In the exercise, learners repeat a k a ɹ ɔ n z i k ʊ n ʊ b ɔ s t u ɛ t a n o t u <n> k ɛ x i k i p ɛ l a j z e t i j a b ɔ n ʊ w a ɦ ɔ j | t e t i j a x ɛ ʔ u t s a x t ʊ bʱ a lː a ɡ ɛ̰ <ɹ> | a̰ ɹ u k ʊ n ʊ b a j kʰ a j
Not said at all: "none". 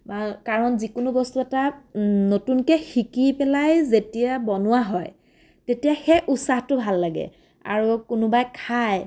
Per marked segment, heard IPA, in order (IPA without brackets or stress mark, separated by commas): n, none